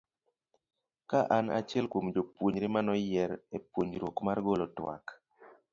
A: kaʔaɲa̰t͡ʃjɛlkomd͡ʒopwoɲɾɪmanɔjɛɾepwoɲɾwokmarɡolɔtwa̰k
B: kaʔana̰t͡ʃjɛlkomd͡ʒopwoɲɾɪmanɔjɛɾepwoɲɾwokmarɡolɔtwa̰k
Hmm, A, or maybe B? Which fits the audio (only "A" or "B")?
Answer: B